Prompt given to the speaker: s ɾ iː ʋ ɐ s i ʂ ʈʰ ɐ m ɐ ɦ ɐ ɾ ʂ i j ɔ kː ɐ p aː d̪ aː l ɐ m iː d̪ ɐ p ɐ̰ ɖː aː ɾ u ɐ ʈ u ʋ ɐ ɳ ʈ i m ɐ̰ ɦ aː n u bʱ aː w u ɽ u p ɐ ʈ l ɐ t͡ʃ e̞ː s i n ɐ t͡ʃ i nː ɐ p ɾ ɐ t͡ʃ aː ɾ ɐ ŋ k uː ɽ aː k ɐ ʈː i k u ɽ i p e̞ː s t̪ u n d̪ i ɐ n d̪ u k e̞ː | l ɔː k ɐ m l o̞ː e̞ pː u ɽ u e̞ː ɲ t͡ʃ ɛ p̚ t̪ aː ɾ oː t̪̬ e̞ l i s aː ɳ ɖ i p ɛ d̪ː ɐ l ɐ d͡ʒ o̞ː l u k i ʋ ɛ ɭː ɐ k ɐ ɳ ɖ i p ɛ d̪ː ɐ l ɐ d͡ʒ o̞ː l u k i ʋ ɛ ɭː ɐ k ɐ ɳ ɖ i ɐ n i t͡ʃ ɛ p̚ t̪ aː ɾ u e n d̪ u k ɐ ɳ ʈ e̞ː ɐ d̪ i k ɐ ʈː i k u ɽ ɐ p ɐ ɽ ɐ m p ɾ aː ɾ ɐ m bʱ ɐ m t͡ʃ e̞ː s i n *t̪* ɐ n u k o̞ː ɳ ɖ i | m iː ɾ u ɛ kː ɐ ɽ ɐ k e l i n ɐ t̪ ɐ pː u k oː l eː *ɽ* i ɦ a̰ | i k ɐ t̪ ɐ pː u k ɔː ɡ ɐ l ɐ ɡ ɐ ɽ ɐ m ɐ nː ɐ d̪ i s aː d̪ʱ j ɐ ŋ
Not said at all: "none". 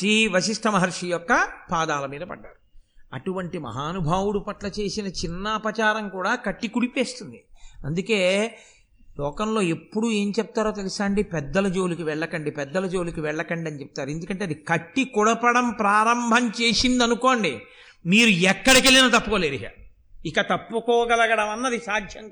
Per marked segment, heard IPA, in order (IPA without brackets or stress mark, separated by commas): d̪, ɾ